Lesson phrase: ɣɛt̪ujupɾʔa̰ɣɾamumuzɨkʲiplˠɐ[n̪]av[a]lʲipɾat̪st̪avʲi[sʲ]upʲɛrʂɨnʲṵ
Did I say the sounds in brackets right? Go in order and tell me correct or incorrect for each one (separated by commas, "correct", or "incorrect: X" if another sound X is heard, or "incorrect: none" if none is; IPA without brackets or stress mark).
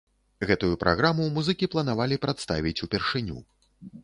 correct, correct, incorrect: t͡sʲ